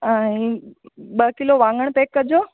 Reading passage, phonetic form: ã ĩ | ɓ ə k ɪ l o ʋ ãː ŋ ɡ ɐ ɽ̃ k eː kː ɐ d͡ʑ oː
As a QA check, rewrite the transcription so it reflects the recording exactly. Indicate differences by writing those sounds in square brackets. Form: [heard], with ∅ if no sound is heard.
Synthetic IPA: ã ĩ | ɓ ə k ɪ l o ʋ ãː ŋ ɡ [ə] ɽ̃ [p] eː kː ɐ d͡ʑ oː